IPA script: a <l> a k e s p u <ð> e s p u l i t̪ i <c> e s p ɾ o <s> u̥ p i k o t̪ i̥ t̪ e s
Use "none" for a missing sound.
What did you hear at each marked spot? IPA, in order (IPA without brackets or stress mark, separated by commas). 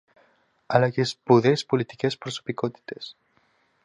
l, ð, k, s